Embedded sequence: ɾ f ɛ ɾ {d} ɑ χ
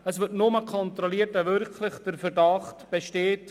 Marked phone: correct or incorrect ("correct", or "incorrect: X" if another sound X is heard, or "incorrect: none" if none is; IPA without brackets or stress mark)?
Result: correct